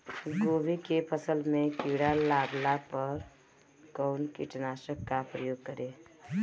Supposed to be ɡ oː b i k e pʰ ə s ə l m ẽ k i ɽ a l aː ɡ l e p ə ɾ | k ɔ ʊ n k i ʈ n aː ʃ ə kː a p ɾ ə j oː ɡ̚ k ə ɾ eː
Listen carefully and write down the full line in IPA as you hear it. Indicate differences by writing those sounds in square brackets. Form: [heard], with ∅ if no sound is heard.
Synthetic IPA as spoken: ɡ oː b i k e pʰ ə s ə l m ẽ k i ɽ a l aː ɡ l [a] p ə ɾ | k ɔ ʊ n k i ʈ n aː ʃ ə kː a p ɾ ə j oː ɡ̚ k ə ɾ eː